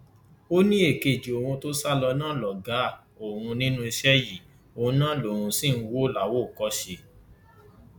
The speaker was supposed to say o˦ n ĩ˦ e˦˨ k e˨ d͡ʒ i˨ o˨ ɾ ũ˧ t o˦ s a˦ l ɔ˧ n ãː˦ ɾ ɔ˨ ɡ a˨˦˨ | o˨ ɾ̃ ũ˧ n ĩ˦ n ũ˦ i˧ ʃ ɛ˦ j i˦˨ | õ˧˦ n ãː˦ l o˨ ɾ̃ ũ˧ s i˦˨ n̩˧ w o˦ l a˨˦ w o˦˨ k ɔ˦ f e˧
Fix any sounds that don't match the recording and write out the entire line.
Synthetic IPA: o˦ n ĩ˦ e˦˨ k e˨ d͡ʒ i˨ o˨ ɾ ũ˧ t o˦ s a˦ l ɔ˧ n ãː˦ l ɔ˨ ɡ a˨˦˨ | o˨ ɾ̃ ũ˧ n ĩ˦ n ũ˦ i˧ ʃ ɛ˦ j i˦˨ | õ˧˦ n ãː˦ l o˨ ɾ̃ ũ˧ s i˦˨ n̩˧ w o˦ l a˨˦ w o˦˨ k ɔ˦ ʃ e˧